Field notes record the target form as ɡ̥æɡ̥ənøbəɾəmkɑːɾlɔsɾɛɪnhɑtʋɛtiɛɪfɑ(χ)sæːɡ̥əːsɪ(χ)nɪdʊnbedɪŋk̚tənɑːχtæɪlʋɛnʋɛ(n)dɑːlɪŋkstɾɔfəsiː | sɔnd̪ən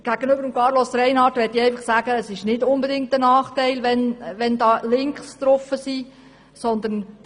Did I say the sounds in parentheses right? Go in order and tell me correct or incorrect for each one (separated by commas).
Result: correct, incorrect, correct